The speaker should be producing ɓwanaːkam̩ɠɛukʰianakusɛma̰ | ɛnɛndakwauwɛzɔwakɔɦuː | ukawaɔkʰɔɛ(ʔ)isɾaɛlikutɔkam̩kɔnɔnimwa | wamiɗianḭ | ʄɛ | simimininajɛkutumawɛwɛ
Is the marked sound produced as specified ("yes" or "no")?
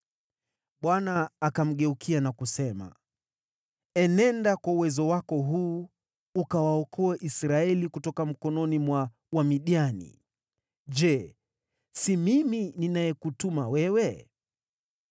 yes